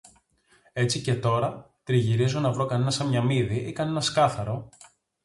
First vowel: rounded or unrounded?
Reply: unrounded